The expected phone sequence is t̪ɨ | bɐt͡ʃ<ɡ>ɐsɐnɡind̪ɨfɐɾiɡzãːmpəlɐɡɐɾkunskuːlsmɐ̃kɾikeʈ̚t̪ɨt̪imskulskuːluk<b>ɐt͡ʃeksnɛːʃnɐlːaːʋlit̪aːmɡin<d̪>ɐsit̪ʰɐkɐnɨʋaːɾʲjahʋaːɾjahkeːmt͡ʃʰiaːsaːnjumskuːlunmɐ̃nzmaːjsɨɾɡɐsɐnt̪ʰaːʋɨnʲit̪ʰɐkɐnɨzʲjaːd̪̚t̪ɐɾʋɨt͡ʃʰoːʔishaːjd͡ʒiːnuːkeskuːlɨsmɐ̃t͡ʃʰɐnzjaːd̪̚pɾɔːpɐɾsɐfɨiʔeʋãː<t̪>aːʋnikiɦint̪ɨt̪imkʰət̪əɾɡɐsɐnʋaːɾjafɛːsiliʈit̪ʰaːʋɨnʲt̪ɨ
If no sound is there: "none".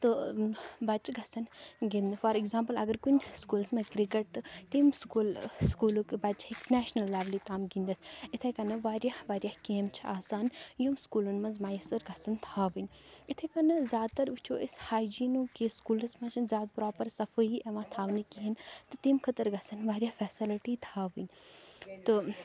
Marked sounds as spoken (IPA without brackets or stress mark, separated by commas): ɡ, b, d̪, t̪ʰ